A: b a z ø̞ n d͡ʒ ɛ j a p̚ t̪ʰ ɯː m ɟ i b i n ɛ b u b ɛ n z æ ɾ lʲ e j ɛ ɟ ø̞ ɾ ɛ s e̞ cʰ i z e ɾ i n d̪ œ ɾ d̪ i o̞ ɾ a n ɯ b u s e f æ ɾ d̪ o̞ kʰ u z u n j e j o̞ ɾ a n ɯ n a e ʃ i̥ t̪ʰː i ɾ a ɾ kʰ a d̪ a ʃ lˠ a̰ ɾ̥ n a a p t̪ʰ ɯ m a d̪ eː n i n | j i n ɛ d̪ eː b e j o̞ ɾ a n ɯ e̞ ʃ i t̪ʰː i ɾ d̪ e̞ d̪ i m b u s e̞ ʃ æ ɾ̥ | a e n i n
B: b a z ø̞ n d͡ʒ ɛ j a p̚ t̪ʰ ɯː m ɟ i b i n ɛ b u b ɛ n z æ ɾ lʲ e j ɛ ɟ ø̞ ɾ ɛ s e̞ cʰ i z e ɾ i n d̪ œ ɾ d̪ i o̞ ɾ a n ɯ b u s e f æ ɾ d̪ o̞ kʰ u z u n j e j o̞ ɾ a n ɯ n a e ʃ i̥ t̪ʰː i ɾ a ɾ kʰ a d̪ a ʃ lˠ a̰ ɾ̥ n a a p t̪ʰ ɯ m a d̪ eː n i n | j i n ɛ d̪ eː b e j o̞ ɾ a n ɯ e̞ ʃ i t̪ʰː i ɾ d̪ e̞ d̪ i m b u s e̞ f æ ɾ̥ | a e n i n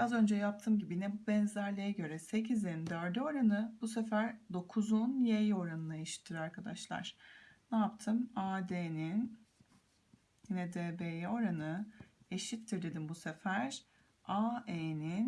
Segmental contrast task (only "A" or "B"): B